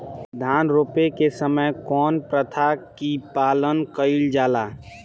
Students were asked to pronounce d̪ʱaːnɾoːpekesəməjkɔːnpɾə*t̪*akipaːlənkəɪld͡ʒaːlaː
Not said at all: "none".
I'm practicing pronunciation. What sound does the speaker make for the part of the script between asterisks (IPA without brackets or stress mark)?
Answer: t̪ʰ